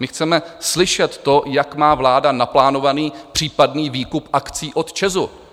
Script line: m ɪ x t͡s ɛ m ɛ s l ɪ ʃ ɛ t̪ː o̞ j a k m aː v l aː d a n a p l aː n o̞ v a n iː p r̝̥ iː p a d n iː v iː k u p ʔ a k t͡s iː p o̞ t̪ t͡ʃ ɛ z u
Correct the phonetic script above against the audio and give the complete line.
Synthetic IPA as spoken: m ɪ x t͡s ɛ m ɛ s l ɪ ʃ ɛ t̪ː o̞ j a k m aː v l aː d a n a p l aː n o̞ v a n iː p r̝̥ iː p a d n iː v iː k u p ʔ a k t͡s iː ʔ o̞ t̪ t͡ʃ ɛ z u